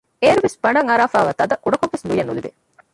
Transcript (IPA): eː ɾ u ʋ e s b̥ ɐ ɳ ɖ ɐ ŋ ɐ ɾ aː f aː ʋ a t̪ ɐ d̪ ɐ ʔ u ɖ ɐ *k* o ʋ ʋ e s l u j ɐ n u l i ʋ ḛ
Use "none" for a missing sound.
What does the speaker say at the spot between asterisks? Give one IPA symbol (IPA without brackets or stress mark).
k